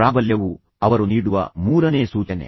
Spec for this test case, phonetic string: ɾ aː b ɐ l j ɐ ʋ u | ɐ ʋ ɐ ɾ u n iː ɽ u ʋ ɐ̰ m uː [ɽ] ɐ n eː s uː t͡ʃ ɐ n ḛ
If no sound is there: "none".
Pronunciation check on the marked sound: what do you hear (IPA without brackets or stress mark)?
ɾ